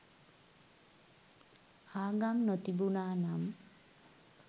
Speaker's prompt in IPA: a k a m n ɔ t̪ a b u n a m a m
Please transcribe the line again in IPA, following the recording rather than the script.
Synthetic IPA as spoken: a ɡ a m n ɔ t̪ i b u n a n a m